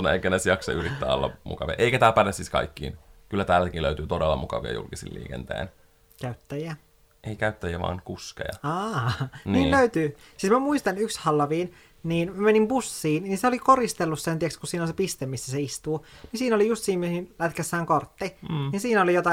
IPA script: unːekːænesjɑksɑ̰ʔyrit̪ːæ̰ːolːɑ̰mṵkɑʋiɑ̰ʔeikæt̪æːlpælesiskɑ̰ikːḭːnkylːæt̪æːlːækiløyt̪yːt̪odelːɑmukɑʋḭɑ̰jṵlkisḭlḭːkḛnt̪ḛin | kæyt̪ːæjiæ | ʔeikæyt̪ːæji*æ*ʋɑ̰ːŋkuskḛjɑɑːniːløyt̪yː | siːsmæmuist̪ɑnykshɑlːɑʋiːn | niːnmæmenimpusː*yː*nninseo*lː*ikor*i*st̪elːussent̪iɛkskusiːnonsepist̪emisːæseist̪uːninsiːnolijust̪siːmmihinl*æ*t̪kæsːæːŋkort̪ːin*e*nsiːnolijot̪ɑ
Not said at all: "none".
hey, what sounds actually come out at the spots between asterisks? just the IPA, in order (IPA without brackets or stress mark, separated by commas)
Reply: æ, iː, l, i, æ, i